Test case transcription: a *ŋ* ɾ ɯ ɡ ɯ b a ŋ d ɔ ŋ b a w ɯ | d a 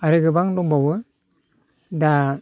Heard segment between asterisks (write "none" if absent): none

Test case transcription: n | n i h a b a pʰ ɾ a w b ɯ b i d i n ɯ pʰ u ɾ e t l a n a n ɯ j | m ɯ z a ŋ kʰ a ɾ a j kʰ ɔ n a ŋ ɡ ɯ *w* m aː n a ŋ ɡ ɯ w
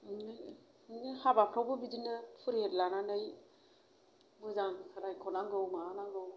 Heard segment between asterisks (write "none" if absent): w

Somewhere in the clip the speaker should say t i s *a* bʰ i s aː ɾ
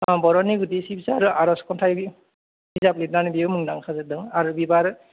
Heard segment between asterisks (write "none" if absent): i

